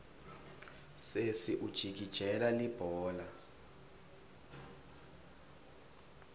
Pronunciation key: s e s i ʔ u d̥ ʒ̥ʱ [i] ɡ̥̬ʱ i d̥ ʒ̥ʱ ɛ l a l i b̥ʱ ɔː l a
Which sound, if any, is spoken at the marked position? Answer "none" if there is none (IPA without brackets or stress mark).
i